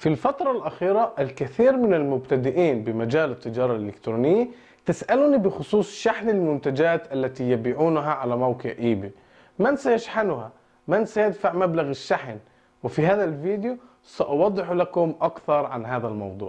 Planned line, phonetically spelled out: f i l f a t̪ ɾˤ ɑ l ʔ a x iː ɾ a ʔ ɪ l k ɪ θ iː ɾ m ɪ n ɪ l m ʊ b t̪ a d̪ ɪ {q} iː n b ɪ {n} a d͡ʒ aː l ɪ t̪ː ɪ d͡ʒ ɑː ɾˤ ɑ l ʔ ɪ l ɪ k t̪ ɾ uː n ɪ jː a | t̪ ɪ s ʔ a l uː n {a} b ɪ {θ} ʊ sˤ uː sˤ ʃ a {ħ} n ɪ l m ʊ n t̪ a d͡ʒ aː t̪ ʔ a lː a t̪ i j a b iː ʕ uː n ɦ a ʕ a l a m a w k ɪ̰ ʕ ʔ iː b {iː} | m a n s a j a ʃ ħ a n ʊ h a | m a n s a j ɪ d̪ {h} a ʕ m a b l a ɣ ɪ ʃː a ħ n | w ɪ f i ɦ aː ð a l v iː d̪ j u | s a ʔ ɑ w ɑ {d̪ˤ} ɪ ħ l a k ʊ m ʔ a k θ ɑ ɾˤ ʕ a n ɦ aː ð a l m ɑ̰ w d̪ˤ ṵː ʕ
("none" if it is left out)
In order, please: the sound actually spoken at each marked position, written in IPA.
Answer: ʔ, m, i, x, ħ, i, f, d̪ˤː

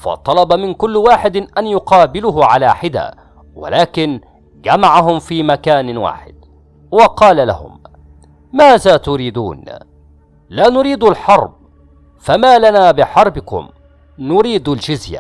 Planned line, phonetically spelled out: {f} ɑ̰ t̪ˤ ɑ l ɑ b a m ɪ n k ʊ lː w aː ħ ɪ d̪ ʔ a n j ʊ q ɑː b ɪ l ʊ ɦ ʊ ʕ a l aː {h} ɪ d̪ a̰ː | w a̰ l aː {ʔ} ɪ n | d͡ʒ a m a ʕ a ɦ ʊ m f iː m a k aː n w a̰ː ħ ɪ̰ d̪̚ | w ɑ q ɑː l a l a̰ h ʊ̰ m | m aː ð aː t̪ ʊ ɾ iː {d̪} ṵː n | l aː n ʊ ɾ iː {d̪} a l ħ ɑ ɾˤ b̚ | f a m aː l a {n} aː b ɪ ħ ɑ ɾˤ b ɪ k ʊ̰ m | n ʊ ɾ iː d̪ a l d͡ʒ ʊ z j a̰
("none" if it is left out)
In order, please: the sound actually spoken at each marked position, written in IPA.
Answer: f, ħ, k, d̪, d̪, n

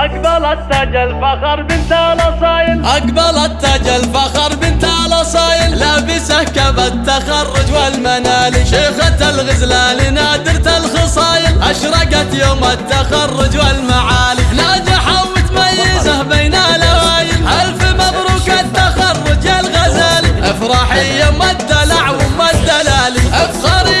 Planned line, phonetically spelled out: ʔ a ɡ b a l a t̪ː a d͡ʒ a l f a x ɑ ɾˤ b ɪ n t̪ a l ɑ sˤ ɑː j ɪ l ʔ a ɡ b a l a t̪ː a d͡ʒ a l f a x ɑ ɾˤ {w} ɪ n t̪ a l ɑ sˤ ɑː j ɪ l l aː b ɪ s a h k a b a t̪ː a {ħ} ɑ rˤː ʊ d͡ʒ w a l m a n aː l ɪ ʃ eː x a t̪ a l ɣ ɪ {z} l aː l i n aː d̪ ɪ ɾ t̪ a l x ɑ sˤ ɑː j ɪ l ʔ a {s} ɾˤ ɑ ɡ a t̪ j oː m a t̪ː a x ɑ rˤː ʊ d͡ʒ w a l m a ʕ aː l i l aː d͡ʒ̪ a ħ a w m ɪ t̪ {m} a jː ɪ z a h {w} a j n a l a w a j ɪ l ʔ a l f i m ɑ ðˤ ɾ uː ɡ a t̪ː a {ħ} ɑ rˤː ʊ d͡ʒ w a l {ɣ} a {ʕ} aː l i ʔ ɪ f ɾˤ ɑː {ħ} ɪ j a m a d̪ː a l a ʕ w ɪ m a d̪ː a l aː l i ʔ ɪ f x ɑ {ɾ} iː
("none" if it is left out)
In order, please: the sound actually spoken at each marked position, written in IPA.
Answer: b, x, z, ʃ, m, b, x, ɣ, z, ħ, ɾ

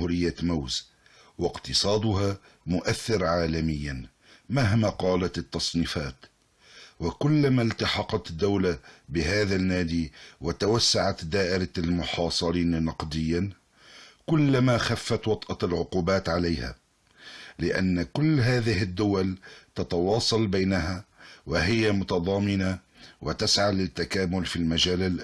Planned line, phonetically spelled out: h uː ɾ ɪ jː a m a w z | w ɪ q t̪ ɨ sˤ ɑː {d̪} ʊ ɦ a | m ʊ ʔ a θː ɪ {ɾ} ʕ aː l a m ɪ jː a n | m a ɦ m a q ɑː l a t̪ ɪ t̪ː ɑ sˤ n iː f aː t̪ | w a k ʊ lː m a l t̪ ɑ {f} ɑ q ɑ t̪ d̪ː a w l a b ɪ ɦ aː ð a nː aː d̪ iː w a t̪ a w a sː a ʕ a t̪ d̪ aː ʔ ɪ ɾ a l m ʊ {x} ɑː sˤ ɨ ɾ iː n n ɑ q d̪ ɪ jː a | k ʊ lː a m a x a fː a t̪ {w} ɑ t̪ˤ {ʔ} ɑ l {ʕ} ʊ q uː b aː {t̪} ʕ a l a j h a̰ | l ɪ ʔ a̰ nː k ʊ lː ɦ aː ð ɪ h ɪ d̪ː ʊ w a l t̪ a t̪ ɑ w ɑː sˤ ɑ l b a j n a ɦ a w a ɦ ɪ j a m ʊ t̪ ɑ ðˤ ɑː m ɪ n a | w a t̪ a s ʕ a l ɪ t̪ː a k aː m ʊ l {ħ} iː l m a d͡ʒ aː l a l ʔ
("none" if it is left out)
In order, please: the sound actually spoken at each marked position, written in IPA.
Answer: d̪, ɾ, ħ, ħ, w, ʔ, ʕ, t̪, f

